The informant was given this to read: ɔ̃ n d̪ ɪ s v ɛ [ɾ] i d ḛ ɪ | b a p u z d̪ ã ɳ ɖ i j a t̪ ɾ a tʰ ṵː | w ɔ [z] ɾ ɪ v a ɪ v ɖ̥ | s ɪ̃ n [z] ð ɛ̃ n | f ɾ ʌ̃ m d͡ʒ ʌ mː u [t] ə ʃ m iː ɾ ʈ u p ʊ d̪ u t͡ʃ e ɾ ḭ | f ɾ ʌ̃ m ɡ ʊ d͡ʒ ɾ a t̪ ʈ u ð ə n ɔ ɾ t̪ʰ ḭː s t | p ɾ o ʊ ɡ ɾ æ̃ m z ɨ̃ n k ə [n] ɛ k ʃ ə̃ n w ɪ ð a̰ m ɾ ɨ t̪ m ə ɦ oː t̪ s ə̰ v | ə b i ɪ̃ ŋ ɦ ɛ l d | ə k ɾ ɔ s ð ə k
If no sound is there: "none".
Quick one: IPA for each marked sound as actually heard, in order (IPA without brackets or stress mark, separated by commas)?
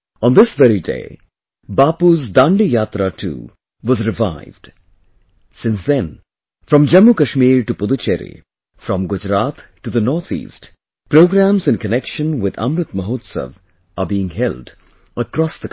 ɾ, z, s, k, n